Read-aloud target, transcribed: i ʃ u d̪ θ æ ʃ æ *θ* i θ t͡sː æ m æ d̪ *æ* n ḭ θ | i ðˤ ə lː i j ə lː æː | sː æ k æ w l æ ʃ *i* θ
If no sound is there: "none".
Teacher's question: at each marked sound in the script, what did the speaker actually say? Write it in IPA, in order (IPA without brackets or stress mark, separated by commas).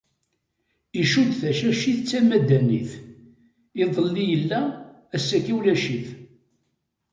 ʃ, æ, i